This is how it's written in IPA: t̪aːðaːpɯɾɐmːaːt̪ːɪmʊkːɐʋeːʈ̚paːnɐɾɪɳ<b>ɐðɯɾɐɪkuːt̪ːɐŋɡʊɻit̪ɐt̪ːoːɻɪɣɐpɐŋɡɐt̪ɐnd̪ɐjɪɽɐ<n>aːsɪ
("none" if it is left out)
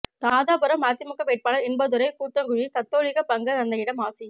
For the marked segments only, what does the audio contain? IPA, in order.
b, m

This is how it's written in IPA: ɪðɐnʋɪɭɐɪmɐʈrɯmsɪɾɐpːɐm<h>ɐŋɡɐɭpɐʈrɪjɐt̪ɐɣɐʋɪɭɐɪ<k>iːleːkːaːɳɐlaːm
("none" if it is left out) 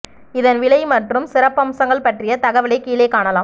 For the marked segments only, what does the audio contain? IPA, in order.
s, k

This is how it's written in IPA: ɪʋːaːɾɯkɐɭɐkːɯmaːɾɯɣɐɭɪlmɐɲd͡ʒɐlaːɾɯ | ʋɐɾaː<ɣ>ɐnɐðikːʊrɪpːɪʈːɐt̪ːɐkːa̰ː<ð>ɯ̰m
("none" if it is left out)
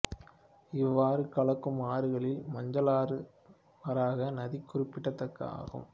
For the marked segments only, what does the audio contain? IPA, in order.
ɣ, ɣ

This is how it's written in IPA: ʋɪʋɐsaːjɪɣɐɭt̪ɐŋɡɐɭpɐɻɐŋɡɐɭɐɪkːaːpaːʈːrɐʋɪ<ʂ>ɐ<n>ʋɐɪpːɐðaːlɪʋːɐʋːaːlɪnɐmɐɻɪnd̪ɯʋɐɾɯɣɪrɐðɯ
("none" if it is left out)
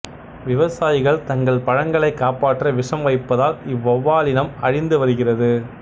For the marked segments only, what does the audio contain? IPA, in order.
ʂ, m

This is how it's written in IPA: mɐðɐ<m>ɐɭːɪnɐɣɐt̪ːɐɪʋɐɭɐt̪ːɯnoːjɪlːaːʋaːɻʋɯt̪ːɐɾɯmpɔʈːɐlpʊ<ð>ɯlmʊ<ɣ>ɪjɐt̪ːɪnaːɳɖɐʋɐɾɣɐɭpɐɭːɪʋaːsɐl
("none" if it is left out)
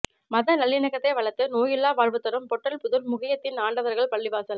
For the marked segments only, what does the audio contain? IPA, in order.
n, ð, ɣ

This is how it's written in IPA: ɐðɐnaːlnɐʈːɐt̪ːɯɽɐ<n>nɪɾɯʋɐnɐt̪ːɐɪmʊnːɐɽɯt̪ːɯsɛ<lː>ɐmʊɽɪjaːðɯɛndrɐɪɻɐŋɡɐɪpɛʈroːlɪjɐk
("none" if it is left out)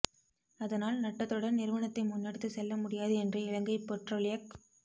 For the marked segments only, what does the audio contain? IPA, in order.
n, lː

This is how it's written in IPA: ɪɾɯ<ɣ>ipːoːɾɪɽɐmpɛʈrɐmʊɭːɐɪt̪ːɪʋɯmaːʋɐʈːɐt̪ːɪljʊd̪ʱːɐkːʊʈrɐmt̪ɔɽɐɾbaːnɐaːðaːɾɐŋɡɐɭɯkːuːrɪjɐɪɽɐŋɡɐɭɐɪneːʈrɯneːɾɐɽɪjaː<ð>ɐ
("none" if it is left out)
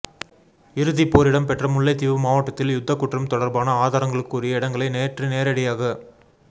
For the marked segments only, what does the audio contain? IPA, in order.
ð, ɣ

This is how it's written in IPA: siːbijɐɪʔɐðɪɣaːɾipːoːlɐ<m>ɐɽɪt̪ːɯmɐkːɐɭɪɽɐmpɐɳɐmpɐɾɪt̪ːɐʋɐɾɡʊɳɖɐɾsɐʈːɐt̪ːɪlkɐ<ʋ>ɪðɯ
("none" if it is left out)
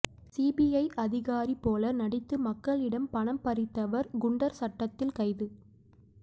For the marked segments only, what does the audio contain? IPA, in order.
n, none

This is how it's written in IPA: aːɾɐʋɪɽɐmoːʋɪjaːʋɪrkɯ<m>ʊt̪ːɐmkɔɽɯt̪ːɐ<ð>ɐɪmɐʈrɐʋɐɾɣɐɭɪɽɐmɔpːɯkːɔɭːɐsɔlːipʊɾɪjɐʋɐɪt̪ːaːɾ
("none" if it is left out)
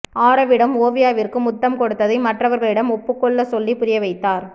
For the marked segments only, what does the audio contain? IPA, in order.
m, ð

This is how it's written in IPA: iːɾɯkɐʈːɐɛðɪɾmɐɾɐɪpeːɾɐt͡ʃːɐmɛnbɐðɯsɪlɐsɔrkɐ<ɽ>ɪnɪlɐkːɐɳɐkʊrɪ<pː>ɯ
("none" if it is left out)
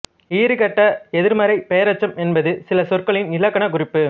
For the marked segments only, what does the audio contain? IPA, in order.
ɭ, pː

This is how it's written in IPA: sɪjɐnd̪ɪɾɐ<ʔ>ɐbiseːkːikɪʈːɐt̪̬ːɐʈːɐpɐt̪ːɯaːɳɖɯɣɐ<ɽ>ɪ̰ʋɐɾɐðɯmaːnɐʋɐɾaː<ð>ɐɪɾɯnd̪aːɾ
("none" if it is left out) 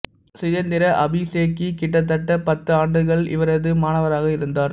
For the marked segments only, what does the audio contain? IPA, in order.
ʔ, ɭ, ɣ

